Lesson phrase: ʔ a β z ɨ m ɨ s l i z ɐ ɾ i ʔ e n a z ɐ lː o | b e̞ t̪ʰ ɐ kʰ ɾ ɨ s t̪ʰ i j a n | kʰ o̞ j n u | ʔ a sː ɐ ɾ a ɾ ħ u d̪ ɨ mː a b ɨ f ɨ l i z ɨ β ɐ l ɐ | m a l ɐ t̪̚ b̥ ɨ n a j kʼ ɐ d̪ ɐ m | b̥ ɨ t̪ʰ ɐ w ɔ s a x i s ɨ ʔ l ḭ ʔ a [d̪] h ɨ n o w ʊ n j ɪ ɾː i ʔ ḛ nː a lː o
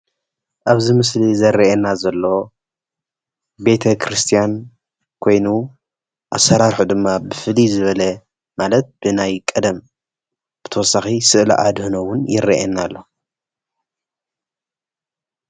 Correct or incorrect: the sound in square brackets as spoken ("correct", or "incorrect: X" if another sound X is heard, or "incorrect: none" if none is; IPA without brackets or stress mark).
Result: correct